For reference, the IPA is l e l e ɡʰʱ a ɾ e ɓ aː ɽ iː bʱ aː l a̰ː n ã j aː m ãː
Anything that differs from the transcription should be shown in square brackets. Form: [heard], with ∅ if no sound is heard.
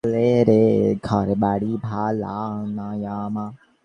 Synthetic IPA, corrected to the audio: l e [ɾ] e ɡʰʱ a ɾ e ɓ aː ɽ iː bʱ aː l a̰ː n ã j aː m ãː